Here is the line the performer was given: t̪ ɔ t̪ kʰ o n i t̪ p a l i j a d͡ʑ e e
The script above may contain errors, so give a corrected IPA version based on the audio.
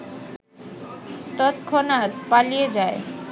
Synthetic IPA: t̪ ɔ t̪ kʰ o n a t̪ p a l i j e d͡ʑ a e